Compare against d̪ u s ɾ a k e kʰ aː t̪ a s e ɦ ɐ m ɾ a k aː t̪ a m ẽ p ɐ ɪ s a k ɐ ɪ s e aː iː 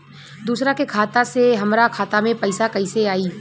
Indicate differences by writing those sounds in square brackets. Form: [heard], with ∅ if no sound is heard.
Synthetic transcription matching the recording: d̪ [uː] s ɾ a k e kʰ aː t̪ a s e ɦ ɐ m ɾ a [kʰ] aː t̪ a m ẽ p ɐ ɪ s a k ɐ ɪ s e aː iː